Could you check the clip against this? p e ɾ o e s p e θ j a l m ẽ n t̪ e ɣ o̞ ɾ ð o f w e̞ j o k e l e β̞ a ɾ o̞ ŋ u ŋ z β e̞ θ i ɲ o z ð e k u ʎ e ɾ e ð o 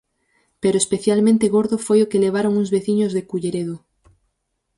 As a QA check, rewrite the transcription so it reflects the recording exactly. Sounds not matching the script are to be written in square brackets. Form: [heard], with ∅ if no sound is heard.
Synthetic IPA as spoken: p e ɾ o e s p e θ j a l m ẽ n t̪ e ɣ o̞ ɾ ð o f w e̞ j o k e l e β̞ a ɾ o̞ ŋ u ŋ z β e̞ θ i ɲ o z ð e k u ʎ e ɾ e ð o